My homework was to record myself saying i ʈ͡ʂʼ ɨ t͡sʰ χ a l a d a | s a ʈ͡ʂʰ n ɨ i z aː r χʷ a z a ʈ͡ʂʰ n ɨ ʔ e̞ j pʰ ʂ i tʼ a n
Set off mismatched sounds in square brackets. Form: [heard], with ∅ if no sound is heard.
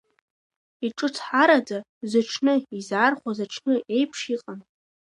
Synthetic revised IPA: i ʈ͡ʂʼ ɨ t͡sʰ [ħ] a [ɾ] a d a | [z] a ʈ͡ʂʰ n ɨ i z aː r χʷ a z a ʈ͡ʂʰ n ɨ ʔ e̞ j pʰ ʂ i [qʼ] a n